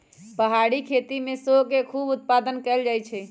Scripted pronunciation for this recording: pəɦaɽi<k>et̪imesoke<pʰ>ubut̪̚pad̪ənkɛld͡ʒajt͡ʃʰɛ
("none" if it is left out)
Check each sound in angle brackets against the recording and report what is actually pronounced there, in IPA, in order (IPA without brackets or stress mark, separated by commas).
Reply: kʰ, kʰ